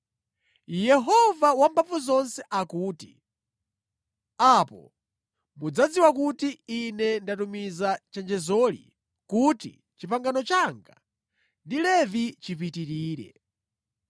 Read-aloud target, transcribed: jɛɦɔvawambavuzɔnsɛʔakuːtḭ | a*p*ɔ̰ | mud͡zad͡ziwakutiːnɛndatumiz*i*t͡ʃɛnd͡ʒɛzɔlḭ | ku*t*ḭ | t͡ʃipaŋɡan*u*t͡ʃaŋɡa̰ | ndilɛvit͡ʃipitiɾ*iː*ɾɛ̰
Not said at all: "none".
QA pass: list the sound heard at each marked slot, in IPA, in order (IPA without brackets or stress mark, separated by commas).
p, a, t, ɔ, iː